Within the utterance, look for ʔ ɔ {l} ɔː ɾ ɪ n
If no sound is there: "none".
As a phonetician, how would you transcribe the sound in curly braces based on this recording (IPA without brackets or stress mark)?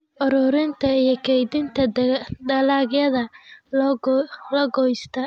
ɾ